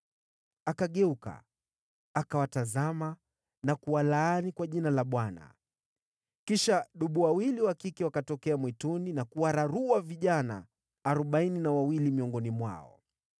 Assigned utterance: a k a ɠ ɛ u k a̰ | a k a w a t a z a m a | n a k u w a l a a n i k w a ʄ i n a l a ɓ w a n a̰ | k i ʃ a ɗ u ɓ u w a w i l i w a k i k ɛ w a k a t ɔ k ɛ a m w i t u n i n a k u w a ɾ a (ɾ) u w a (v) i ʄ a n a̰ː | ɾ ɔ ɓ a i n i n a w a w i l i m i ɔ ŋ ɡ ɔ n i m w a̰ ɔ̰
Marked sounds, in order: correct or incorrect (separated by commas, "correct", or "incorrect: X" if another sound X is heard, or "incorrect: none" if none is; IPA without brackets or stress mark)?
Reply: correct, correct